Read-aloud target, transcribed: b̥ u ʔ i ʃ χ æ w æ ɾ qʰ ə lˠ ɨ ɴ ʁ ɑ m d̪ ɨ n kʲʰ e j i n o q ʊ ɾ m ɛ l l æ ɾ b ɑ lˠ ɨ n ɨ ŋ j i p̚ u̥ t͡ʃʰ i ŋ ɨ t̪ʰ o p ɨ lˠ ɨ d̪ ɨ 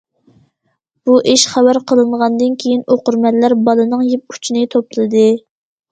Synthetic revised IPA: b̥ u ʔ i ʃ χ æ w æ ɾ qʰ ə lˠ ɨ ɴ ʁ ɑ n d̪ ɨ n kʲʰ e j i n o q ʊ ɾ m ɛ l l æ ɾ b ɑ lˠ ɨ n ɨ ŋ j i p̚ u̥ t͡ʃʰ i n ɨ t̪ʰ o p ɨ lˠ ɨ d̪ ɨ